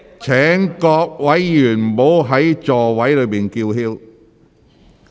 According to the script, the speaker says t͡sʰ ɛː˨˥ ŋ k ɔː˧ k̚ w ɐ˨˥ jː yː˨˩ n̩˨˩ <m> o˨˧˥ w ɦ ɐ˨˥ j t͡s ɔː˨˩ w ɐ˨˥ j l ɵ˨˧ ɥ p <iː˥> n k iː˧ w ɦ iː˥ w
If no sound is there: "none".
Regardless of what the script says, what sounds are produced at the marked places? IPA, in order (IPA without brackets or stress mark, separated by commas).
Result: m, iː˨